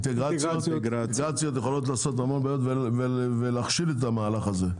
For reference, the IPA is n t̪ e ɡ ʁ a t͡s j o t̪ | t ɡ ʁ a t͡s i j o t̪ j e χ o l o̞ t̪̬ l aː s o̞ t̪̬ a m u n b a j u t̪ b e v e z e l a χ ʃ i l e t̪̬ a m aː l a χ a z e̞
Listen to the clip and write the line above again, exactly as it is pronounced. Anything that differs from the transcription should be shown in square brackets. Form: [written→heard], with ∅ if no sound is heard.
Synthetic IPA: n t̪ e ɡ ʁ a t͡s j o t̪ | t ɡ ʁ a t͡s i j o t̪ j e χ o l o̞ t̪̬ l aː s o̞ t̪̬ a m [u→o] n b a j [u→o] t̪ [b→v] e v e [z→v] e l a χ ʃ i l e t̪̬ a m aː l a χ a z e̞